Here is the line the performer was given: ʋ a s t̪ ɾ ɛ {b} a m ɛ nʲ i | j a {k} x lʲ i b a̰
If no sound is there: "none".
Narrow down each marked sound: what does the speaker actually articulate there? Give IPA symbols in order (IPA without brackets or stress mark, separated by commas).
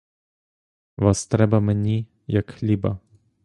b, k